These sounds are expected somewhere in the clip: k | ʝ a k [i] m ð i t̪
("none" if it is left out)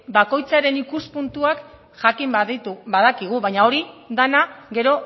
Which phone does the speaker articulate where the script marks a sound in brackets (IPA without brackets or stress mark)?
i